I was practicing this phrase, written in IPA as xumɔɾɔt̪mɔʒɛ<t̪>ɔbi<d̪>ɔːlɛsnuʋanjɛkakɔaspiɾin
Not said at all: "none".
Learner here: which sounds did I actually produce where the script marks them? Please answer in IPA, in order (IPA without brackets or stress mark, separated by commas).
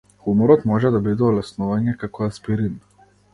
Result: d̪, d̪